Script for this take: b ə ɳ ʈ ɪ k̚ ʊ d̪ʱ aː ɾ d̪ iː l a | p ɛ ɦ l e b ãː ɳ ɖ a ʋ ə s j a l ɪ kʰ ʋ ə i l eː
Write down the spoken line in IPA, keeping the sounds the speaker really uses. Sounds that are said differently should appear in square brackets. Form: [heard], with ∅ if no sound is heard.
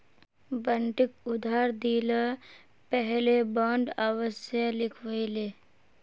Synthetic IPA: b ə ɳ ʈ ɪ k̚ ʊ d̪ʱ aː ɾ d̪ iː l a | p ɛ ɦ l e b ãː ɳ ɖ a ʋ ə s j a l ɪ kʰ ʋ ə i l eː